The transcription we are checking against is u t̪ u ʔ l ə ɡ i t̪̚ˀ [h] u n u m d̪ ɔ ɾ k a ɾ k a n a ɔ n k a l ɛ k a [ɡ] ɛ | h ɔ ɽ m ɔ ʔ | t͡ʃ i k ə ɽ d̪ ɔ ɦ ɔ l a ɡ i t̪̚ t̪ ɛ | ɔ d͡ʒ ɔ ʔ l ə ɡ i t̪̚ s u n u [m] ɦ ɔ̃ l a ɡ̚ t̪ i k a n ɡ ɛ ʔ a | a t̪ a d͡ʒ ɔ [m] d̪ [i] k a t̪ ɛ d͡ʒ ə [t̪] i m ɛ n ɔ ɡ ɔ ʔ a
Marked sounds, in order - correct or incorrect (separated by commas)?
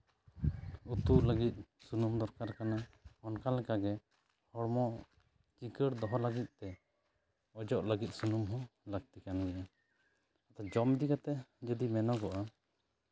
incorrect, correct, correct, correct, correct, incorrect